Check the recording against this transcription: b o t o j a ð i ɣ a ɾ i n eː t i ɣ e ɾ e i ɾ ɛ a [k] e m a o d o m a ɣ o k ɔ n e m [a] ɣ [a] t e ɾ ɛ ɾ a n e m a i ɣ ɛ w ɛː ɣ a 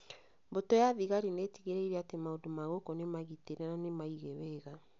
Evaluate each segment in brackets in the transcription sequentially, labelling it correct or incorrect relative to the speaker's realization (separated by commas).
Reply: incorrect, correct, incorrect